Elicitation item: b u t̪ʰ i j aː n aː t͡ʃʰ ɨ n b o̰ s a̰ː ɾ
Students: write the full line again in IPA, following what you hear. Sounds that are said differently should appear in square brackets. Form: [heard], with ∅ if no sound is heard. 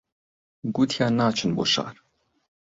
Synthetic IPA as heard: [ɡ] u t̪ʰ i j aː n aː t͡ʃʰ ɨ n b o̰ [ʃ] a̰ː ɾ

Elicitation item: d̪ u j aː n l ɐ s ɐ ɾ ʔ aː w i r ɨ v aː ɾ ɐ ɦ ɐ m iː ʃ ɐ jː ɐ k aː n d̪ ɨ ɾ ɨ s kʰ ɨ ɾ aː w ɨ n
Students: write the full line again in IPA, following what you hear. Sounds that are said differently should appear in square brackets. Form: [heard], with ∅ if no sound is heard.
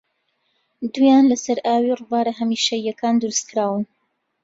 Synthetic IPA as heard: d̪ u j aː n l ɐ s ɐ ɾ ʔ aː w i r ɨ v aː ɾ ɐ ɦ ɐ m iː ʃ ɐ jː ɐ k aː n d̪ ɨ ɾ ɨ s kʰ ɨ ɾ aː w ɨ n

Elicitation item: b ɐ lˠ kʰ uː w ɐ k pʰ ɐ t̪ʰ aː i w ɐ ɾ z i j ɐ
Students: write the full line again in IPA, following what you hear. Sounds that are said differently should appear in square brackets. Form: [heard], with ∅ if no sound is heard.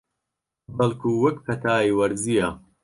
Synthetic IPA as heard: b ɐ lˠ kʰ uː w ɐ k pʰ ɐ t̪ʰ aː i w ɐ ɾ z i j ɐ

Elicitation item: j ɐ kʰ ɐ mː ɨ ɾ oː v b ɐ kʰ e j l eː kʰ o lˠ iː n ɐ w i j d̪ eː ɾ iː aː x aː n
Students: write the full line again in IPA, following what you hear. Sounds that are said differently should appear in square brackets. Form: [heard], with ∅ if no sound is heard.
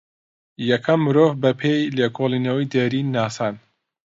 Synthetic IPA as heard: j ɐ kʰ ɐ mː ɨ ɾ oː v b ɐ [pʰ] e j l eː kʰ o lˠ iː n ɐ w i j d̪ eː ɾ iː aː [s] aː n

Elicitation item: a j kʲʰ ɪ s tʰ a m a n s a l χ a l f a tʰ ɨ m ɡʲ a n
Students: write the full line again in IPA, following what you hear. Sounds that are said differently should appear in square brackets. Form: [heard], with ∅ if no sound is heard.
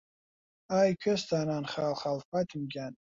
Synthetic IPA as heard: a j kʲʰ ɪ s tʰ a [n] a n [χ] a l χ a l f a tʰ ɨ m ɡʲ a n

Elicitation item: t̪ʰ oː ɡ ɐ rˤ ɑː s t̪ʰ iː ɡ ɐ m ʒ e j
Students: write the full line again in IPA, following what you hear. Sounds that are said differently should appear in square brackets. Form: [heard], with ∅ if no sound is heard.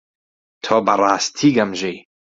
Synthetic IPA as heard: t̪ʰ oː [b] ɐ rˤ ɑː s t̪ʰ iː ɡ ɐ m ʒ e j

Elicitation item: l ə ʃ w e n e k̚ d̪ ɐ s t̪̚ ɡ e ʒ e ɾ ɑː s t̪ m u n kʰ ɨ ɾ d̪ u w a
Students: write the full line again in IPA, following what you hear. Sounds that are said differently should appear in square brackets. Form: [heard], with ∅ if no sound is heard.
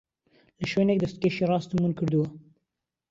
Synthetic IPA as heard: l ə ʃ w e n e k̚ d̪ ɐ s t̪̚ [k] e [ʃ] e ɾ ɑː s t̪ m u n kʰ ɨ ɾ d̪ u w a

